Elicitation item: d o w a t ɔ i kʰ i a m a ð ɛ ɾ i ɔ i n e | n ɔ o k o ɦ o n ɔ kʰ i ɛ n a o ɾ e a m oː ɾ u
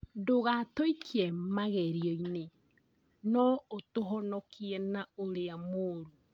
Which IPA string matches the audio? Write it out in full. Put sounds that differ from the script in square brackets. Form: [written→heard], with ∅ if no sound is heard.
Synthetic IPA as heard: d o [w→ɣ] a t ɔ i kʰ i [a→ɛ] m a [ð→ɣ] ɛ ɾ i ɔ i n e | n ɔ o [k→t] o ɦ [o→ɔ] n ɔ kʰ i ɛ n a o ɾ e a m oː ɾ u